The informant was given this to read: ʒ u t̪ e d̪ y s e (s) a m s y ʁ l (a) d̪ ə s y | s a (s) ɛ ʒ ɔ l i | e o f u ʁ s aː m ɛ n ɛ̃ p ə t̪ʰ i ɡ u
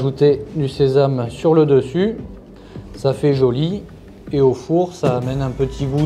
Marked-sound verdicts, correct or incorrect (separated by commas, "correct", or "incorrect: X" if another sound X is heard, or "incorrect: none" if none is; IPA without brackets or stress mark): incorrect: z, incorrect: ə, incorrect: f